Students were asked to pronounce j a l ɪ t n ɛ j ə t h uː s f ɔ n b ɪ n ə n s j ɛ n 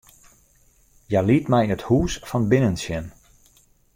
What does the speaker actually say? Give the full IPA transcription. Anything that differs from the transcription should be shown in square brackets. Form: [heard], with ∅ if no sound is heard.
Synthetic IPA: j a l [i] t [m] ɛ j ə t h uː s f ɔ n b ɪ n ə n s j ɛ n